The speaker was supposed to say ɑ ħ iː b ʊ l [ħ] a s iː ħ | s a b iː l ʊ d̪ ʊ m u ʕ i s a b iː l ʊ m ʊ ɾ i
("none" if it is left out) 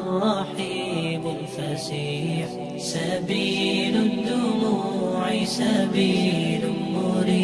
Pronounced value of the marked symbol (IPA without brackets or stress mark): f